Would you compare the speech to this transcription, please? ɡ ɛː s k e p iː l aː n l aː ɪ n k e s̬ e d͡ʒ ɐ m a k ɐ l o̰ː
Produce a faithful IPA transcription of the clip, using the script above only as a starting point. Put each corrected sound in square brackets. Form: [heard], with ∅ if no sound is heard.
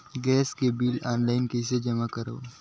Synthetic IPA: ɡ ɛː s k e [b] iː l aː n l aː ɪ n k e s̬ e d͡ʒ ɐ m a k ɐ [ɾ] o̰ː

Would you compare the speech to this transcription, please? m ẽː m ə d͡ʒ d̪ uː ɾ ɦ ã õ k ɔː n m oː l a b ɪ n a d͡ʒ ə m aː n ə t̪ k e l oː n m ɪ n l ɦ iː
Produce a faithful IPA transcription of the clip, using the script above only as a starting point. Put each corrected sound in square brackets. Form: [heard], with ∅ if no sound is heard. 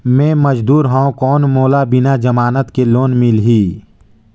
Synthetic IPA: m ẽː m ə d͡ʒ d̪ uː ɾ ɦ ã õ k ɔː n m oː l a b ɪ n a d͡ʒ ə m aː n ə t̪ k e l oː n m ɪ [∅] l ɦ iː

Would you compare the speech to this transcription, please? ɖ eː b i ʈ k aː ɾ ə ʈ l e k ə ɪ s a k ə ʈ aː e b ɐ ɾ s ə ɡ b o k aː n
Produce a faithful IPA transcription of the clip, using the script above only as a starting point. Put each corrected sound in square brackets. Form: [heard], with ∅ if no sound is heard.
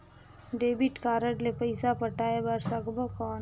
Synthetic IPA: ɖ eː b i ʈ k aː ɾ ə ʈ l e [p] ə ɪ s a [p] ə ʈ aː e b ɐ ɾ s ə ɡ b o k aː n

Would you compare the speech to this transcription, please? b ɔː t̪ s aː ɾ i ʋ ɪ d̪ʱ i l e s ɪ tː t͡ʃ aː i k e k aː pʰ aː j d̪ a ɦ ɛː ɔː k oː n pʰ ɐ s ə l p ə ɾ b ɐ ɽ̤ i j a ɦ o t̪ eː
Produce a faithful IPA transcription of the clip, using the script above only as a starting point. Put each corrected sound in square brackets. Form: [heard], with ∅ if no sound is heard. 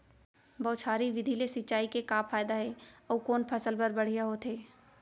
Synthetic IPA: b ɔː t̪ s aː ɾ i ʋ ɪ d̪ʱ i l e s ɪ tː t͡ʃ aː i k e k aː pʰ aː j d̪ a ɦ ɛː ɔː k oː n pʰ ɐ s ə l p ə ɾ b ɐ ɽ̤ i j a ɦ o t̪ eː

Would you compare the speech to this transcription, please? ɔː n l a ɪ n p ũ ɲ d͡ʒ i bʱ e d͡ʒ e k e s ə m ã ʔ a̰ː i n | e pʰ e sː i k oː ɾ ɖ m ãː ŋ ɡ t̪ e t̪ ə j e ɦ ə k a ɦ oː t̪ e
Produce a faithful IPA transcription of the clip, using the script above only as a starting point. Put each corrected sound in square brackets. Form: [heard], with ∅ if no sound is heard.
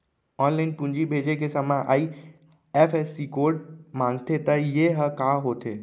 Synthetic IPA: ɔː n l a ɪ n p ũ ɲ d͡ʒ i bʱ e d͡ʒ e k e s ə m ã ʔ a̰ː i [∅] | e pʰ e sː i k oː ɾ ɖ m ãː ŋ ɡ t̪ e t̪ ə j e ɦ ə k a ɦ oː t̪ e

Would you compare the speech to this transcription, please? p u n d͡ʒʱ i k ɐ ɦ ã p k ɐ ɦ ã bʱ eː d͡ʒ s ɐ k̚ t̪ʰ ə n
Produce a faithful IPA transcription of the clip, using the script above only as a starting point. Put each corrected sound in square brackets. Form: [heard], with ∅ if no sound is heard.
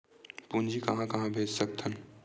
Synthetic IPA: p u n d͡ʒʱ i k ɐ ɦ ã [∅] k ɐ ɦ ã bʱ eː d͡ʒ s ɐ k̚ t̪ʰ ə n

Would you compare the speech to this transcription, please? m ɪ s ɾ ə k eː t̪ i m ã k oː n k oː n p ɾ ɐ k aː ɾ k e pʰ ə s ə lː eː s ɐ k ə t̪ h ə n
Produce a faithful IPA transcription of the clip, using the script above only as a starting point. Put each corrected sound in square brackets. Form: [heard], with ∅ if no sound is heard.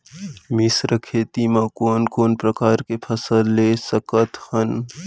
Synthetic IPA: m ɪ s ɾ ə [kʰ] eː t̪ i m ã k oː n k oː n p ɾ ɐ k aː ɾ k e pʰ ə s ə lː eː s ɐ k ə t̪ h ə n

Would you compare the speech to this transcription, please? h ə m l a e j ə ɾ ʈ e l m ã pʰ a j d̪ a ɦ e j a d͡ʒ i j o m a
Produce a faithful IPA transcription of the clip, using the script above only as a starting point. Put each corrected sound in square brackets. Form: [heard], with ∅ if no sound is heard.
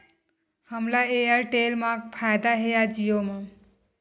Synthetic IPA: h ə m l a e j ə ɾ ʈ e l m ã pʰ a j d̪ a ɦ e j a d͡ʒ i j o m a

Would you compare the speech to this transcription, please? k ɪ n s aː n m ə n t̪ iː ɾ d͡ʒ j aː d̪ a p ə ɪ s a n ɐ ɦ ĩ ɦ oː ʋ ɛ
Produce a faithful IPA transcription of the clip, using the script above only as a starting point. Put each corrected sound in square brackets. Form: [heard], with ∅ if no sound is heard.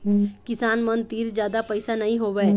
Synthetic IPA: k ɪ [∅] s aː n m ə n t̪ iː ɾ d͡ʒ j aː d̪ a p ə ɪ s a n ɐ ɦ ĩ ɦ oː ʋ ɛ

